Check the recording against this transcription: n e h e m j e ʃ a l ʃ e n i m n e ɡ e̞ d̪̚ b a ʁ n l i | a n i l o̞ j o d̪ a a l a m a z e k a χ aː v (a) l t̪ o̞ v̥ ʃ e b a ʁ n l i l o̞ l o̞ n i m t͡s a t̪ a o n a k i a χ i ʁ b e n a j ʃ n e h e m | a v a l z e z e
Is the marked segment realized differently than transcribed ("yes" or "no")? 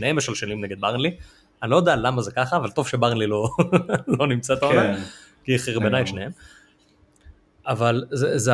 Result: no